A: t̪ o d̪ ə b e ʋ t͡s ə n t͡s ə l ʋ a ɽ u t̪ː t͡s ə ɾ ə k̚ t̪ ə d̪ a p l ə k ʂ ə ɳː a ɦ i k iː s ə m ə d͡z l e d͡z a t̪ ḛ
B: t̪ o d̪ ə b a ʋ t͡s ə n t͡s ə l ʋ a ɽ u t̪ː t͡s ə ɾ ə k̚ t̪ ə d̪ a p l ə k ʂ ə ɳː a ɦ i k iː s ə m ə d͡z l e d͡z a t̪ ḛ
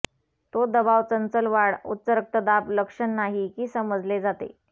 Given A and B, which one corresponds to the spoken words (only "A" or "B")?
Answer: B